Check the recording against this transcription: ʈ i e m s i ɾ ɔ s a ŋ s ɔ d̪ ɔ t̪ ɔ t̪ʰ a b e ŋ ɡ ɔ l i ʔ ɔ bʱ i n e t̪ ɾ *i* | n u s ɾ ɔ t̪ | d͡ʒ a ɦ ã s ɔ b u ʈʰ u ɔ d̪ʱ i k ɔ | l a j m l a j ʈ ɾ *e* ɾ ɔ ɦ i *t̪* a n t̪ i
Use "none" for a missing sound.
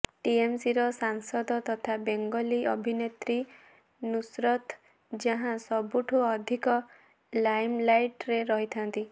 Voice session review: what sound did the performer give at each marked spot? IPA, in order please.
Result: i, e, t̪ʰ

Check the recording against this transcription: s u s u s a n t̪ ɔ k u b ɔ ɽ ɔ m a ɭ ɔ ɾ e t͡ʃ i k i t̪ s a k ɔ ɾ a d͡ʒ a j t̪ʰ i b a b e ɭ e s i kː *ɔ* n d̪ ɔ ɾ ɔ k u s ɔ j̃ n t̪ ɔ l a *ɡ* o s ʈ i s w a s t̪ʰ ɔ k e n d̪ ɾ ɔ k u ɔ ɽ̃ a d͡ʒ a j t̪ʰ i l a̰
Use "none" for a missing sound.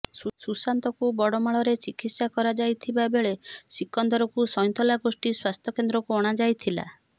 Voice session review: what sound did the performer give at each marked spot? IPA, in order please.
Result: ɔ, ɡ

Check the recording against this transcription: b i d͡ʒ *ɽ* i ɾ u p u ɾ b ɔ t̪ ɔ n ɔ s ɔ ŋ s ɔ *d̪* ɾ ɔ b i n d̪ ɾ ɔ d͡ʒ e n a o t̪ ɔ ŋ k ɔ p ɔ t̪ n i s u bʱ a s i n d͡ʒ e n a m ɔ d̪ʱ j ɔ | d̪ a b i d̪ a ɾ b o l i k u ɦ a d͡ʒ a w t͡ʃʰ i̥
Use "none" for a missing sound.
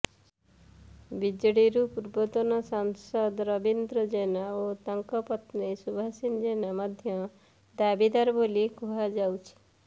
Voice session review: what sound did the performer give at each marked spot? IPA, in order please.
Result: ɽ, d̪

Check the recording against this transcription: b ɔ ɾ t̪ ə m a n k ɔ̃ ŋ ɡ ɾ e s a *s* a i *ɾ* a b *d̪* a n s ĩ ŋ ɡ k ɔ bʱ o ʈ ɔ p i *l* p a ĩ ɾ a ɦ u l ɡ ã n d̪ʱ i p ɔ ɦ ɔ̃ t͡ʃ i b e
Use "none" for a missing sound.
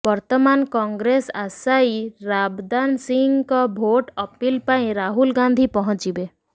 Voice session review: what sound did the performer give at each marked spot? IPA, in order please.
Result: s, ɾ, d̪, l

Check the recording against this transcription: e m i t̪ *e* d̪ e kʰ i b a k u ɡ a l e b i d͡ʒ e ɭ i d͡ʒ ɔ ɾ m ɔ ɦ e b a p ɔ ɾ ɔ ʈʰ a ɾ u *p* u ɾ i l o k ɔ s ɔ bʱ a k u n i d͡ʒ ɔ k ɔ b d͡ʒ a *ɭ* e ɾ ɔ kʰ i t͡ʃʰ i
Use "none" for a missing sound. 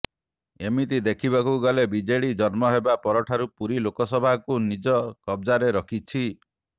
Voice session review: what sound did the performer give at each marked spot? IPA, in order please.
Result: i, p, ɾ

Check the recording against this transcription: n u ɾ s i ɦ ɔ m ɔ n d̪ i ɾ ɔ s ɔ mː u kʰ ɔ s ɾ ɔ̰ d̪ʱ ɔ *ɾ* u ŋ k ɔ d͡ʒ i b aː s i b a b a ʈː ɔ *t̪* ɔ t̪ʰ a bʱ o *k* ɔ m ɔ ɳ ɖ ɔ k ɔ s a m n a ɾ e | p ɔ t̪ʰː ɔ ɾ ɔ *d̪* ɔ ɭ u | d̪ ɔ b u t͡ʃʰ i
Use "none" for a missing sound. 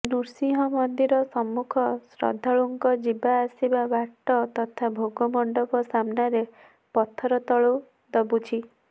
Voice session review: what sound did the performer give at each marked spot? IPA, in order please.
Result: ɭ, t̪, ɡ, t̪

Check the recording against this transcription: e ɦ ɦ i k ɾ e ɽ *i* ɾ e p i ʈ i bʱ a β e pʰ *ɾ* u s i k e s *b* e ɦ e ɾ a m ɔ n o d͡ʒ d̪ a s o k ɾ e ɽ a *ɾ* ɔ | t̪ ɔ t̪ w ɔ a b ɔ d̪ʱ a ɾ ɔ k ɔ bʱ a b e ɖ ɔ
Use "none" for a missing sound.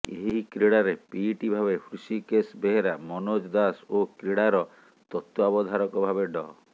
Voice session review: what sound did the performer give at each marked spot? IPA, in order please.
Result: a, ɾ, b, ɾ

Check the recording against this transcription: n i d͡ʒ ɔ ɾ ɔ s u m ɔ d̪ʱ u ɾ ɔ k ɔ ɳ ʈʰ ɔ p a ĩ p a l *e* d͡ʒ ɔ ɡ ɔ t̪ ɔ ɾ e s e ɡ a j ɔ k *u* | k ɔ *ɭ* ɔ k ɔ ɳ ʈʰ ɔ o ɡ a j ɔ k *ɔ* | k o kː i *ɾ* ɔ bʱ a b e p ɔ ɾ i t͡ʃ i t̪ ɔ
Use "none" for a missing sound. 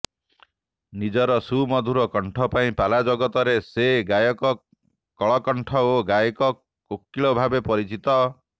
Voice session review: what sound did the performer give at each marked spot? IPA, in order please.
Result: a, ɔ, ɭ, ɔ, ɭ

